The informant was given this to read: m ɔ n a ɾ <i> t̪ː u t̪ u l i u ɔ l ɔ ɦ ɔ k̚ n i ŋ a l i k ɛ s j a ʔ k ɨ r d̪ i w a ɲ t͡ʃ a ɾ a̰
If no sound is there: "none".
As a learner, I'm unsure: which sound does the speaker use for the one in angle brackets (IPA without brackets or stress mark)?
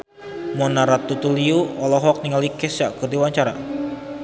a